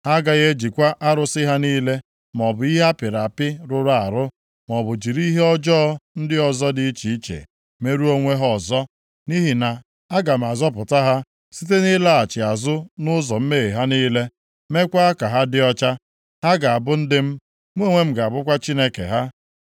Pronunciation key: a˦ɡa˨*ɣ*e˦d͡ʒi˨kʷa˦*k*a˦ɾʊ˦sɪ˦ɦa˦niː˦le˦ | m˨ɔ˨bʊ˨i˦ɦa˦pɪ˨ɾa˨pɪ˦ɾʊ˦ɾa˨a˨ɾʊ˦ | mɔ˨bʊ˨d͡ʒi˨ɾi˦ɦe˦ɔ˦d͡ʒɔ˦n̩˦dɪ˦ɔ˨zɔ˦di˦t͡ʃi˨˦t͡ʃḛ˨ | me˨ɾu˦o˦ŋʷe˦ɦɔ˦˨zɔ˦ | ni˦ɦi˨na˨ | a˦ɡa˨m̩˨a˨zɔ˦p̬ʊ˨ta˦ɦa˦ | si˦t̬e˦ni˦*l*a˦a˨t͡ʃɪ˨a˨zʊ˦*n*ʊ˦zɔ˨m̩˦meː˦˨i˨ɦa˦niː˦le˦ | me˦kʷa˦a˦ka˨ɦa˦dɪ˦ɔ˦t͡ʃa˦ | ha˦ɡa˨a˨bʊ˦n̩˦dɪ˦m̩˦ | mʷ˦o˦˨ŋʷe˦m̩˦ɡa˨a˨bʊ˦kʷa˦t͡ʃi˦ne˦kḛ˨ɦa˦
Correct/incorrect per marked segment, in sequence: correct, incorrect: ʔ, correct, correct

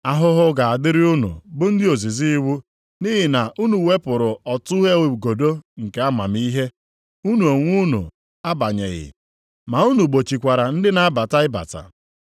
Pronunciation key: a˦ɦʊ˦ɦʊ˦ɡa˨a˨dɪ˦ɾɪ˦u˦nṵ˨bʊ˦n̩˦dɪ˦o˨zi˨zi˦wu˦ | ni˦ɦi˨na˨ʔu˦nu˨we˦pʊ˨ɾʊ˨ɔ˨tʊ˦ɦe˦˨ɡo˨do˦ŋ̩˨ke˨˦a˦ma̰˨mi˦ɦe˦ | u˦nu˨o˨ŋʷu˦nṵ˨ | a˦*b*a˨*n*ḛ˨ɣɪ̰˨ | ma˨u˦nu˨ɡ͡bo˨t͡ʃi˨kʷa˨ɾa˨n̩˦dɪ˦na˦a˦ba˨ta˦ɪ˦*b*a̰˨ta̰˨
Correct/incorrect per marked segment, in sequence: correct, incorrect: ɲ, correct

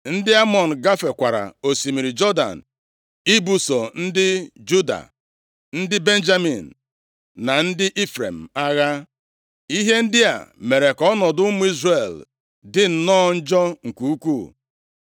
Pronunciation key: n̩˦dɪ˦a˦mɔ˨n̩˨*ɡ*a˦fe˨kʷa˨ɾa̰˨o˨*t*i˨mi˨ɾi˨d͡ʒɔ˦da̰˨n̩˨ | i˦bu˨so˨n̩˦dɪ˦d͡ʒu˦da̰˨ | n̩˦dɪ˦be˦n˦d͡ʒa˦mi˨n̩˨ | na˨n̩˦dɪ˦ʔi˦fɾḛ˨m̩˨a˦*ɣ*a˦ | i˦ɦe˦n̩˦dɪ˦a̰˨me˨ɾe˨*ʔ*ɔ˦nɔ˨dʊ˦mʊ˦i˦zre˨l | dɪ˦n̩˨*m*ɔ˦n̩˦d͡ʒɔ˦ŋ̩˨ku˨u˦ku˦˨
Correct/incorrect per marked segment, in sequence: correct, incorrect: s, correct, incorrect: k, incorrect: n

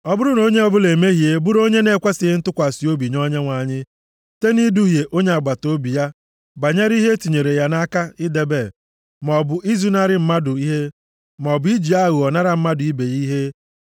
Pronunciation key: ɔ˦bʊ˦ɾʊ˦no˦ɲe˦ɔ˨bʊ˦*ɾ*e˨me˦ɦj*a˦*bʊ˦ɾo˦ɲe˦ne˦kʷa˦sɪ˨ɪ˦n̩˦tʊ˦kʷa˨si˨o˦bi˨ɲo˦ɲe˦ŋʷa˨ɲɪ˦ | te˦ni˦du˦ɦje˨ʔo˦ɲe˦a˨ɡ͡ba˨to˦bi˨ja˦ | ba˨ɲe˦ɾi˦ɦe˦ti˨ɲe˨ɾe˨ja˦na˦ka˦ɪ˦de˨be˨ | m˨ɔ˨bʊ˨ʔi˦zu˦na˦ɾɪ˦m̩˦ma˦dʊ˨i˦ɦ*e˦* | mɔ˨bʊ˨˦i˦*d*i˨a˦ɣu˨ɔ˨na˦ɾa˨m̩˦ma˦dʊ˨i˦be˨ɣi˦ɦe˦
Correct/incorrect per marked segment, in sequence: incorrect: l, incorrect: e˦, correct, incorrect: d͡ʒ

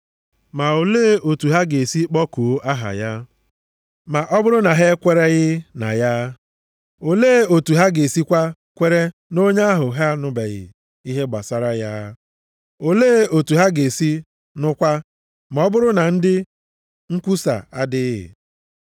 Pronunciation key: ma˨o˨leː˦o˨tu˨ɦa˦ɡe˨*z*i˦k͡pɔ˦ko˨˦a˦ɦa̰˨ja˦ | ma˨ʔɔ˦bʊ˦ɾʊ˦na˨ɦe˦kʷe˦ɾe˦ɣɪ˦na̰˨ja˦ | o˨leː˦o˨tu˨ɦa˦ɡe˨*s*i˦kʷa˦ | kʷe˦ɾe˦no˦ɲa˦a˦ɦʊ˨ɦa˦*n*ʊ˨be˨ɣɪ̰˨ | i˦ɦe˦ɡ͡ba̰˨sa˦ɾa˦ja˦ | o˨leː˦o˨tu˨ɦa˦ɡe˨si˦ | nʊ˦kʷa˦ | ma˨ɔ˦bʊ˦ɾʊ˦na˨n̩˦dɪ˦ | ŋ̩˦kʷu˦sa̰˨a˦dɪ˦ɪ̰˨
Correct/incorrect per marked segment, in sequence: incorrect: s, correct, correct

